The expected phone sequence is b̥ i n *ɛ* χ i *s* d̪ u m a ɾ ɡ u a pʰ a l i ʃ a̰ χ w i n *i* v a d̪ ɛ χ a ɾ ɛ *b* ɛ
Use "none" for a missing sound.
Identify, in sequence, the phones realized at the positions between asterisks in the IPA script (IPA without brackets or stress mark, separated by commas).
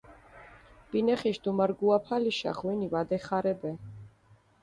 ɛ, ʃ, i, b